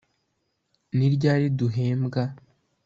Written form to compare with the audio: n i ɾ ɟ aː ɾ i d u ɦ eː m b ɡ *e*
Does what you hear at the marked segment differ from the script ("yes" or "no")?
yes